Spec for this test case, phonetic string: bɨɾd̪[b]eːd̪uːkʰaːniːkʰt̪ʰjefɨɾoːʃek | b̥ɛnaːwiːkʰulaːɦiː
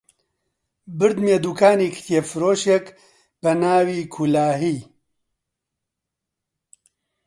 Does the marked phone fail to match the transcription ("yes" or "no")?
yes